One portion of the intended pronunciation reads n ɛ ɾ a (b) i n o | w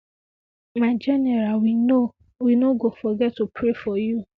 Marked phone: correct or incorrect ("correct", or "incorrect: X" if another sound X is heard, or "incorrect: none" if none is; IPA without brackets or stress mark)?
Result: incorrect: w